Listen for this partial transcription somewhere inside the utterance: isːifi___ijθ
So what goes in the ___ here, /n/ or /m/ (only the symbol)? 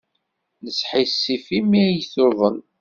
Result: m